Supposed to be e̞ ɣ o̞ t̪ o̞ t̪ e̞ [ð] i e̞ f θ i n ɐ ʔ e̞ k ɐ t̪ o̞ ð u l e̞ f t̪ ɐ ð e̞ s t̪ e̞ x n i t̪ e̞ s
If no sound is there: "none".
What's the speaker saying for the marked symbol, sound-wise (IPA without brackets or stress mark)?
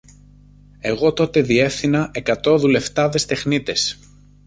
ð